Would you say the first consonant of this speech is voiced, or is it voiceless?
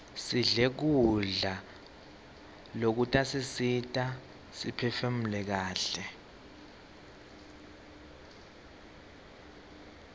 voiceless